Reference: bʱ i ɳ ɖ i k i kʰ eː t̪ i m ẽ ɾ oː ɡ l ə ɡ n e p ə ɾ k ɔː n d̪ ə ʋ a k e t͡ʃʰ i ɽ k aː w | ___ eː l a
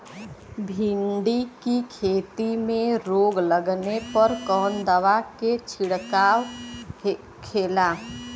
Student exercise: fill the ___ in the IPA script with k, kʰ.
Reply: kʰ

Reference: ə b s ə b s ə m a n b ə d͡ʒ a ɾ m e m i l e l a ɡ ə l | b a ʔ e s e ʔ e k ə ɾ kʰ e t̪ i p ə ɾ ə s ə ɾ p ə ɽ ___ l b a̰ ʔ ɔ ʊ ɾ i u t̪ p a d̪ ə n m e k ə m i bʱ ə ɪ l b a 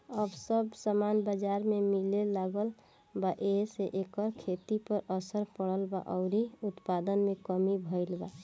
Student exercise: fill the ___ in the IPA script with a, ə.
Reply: ə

